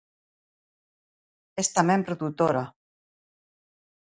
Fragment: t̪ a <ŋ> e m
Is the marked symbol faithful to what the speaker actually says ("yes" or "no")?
no